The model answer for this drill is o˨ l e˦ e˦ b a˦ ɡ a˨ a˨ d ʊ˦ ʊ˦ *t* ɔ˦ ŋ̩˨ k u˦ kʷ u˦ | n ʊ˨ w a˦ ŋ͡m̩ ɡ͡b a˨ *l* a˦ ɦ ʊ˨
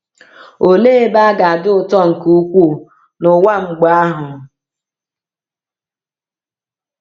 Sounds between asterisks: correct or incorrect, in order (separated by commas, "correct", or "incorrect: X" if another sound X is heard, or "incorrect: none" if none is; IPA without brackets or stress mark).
correct, incorrect: none